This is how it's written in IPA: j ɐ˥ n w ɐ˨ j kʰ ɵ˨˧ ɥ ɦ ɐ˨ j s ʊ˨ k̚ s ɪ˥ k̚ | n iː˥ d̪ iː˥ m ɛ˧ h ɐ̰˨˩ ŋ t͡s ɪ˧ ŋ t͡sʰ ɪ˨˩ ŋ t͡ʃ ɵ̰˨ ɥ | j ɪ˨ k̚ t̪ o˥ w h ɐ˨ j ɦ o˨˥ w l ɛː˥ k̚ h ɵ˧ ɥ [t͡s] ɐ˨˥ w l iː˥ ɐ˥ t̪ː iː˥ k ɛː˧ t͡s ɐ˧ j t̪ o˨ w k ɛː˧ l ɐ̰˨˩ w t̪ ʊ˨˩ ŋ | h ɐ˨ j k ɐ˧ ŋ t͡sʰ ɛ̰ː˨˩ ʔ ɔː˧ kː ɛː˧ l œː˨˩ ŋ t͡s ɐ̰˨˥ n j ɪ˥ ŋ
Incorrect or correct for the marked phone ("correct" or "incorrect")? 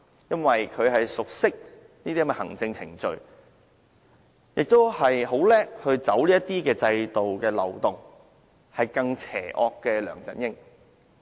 correct